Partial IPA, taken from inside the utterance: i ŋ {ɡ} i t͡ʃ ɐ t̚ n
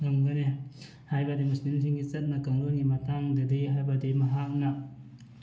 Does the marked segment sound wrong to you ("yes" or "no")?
no